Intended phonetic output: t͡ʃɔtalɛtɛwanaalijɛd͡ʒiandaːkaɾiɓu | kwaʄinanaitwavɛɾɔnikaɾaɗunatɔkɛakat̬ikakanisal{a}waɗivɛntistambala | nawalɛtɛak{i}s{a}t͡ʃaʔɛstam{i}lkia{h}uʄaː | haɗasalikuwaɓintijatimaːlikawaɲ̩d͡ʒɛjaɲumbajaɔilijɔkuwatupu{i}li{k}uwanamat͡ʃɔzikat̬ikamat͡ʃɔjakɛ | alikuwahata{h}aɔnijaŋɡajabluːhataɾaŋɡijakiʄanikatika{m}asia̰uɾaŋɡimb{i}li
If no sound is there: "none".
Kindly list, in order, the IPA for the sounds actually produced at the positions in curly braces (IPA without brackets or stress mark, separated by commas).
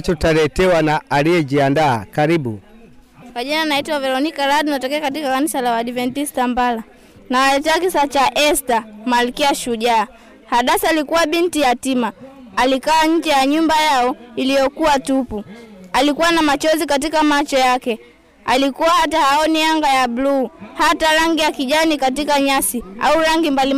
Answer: a, i, a, a, ʃ, a, k, h, ɲ, a